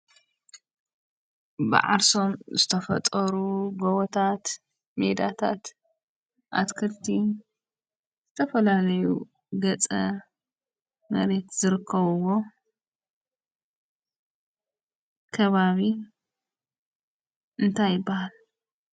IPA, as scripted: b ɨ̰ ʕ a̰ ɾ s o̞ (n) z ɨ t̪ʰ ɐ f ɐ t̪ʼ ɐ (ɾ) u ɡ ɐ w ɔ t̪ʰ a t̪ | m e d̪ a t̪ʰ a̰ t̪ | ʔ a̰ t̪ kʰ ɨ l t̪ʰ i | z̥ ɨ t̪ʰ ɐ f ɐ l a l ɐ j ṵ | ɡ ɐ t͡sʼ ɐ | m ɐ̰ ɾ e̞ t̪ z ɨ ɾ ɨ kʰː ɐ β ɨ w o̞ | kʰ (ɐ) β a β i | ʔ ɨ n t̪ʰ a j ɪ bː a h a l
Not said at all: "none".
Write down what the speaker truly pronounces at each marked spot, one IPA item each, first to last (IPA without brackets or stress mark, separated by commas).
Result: m, ɾ, ɐ